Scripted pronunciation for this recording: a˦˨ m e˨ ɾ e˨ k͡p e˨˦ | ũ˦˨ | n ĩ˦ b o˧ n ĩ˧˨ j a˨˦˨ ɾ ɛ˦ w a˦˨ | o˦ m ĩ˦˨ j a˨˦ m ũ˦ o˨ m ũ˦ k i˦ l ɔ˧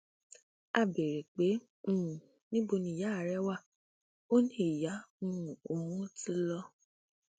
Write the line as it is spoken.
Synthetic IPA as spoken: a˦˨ b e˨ ɾ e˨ k͡p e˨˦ | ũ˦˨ | n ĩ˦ b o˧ n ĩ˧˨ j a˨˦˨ ɾ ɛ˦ w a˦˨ | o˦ n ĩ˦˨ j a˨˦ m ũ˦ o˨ m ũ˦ t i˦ l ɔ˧